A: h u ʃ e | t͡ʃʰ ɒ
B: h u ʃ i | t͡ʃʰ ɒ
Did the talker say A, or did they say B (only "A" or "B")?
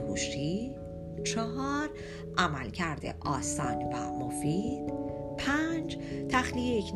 B